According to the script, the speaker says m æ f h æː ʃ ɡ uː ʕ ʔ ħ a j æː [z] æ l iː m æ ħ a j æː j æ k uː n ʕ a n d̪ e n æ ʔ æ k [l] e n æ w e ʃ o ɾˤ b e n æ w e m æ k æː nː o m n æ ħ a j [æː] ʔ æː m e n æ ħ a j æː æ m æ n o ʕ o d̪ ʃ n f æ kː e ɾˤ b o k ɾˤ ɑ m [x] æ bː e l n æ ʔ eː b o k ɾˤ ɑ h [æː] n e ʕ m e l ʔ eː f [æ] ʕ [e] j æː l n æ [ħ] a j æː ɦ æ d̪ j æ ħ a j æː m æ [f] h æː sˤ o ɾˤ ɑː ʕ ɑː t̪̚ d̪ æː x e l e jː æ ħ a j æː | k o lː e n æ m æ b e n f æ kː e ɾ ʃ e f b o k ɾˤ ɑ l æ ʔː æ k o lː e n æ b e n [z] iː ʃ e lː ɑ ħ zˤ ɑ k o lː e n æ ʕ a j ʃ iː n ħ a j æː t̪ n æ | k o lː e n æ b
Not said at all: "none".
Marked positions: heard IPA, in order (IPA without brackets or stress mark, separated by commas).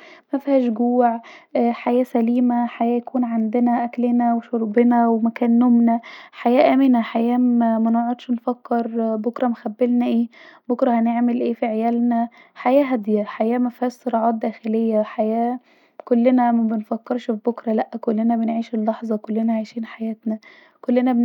s, l, æː, x, æ, i, e, ħ, f, ʕ